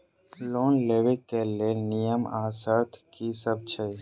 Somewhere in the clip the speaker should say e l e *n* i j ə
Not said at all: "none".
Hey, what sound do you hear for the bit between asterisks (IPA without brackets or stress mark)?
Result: n